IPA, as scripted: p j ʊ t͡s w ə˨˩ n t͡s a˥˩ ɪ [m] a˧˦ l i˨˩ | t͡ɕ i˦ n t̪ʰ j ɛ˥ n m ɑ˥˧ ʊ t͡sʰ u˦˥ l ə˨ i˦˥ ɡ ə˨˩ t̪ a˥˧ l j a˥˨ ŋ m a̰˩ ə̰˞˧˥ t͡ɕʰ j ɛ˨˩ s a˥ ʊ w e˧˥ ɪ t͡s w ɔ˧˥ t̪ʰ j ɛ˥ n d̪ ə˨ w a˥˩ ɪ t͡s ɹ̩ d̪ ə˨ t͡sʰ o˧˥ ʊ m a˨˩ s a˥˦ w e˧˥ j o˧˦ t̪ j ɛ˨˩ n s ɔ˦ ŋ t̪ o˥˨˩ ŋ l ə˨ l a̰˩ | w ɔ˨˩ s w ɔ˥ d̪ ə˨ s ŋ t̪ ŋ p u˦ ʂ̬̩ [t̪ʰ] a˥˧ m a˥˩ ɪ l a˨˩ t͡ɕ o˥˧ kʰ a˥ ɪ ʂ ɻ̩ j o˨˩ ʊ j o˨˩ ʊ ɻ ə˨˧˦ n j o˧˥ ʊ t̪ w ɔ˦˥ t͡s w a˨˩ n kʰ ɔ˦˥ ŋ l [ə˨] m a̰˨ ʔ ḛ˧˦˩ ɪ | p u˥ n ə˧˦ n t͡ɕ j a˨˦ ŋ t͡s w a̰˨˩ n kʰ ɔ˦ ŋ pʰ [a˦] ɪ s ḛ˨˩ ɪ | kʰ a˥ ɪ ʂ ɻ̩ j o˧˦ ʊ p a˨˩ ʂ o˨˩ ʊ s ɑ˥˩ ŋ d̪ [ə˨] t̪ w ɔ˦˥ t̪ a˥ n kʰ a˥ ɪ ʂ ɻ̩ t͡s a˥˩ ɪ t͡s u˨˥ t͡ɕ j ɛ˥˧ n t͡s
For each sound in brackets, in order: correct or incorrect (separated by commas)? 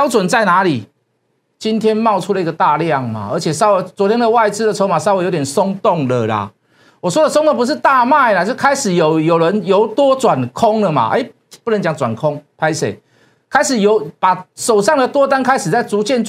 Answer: incorrect, incorrect, correct, correct, correct